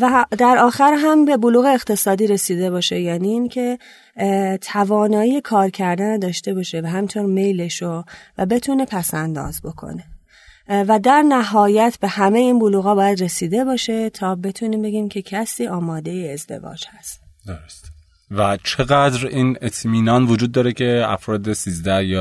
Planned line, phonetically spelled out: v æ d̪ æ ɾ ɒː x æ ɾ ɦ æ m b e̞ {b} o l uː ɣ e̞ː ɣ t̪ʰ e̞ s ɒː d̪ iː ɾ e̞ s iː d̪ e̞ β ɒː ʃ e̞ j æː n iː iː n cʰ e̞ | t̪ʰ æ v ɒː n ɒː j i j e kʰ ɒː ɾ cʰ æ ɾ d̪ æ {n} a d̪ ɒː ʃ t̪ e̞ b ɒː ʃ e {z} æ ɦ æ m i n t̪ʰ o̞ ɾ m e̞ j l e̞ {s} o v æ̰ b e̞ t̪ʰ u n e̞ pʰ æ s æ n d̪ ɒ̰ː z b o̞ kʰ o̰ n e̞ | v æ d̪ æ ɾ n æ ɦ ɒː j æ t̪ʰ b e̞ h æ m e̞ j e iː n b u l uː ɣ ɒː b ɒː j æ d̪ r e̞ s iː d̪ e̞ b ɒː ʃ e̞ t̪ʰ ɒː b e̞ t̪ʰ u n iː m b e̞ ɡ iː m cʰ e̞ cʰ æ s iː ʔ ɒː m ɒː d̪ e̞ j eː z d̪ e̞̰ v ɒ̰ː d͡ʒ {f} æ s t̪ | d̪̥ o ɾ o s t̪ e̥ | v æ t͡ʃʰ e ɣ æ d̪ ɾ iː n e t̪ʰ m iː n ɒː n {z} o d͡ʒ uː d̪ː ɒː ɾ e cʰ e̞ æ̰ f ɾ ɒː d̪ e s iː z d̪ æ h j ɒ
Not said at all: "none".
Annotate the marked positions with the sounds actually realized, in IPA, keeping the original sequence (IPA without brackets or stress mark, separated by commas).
b, n, v, ʃ, h, v